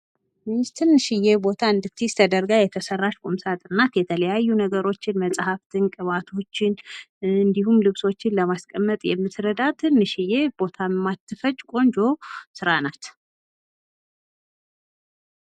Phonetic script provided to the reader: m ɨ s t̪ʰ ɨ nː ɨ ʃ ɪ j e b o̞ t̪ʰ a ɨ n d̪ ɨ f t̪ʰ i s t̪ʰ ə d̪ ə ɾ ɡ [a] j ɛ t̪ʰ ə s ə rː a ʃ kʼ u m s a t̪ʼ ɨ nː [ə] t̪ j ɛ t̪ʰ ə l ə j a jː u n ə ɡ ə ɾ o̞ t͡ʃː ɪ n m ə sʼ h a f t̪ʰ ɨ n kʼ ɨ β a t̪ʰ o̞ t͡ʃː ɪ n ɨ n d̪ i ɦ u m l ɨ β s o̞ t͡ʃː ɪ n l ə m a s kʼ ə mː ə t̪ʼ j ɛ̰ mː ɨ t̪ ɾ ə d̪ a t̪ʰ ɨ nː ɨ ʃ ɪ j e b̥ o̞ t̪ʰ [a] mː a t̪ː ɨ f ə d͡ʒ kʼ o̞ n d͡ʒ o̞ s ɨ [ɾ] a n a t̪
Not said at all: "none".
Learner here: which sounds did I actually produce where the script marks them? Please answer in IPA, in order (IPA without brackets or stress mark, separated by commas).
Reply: a, a, a, ɾ